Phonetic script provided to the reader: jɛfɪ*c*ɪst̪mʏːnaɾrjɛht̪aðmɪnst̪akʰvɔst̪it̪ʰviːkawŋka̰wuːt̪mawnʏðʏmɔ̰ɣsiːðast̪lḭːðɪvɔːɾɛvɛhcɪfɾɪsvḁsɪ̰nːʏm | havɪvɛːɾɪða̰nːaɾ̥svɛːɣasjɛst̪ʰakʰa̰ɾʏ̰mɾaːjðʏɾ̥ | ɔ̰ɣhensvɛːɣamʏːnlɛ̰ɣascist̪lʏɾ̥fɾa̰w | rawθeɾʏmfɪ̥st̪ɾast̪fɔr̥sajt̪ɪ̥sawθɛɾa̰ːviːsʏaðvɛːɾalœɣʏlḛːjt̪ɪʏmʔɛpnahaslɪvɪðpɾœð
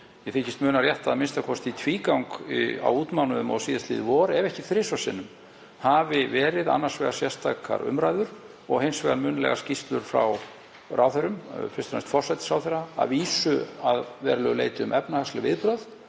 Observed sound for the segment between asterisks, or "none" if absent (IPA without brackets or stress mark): c